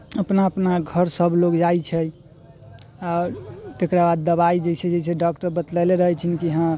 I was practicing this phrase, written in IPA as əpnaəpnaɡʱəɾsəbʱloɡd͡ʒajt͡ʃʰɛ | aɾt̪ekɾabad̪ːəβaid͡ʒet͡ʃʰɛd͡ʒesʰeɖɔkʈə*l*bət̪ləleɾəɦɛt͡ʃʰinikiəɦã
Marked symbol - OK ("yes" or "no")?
no